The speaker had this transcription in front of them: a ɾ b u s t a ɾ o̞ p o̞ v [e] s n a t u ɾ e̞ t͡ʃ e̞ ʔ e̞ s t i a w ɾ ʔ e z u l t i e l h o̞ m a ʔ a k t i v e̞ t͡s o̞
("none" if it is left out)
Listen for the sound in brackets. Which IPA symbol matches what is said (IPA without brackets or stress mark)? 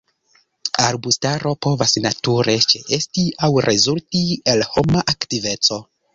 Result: a